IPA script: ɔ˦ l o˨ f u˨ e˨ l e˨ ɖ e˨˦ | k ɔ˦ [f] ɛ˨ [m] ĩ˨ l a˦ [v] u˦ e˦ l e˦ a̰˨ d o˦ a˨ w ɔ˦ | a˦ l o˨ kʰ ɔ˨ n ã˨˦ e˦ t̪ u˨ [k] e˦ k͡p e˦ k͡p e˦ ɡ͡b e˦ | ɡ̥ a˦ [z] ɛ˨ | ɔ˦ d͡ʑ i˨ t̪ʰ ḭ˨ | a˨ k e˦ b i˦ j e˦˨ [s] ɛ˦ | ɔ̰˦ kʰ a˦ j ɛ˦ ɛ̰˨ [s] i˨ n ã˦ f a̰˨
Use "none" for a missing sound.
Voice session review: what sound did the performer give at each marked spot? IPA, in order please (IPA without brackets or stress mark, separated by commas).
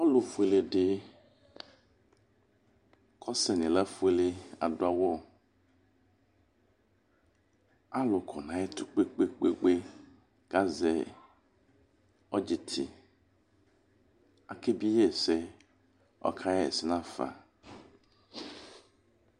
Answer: s, n, f, k͡p, z, s, s